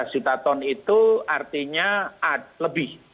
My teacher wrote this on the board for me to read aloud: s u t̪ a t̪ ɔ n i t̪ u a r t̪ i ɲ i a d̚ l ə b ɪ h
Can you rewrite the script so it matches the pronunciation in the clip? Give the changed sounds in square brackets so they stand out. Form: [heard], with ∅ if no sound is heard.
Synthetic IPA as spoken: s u t̪ a t̪ ɔ n i t̪ u a r t̪ i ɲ [a] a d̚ l ə b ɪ h